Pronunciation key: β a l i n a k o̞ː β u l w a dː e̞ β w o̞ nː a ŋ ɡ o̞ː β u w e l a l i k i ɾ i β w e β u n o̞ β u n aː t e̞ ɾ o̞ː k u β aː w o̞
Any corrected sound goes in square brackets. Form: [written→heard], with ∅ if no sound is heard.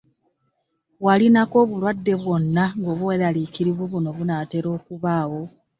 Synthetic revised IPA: [β→w] a l i n a k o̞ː β u l w a dː e̞ β w o̞ nː a ŋ ɡ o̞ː β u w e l a l i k i ɾ i β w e β u n o̞ β u n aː t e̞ ɾ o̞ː k u β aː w o̞